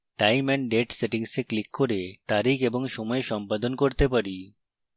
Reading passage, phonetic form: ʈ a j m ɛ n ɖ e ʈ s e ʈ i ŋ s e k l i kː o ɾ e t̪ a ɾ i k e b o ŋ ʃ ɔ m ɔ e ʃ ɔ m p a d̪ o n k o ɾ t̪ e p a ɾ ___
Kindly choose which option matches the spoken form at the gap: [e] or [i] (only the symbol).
i